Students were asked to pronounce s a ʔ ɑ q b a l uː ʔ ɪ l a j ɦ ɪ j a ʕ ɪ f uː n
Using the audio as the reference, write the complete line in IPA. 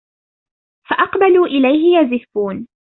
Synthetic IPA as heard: f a ʔ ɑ q b a l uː ʔ ɪ l a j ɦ ɪ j a z ɪ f uː n